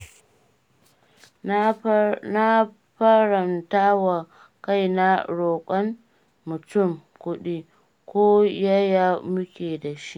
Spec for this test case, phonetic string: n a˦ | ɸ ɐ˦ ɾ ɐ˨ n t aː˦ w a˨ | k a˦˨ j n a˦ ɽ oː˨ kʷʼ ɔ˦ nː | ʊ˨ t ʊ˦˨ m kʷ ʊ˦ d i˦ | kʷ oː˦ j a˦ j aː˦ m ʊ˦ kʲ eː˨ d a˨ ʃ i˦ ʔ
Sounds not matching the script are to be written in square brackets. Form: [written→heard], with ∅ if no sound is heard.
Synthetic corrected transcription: n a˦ | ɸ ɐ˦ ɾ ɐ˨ n t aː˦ w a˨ | k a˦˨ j n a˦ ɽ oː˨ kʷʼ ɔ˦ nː | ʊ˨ t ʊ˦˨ m kʷ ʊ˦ [d→ɗ] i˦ | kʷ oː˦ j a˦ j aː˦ m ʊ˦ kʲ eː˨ d a˨ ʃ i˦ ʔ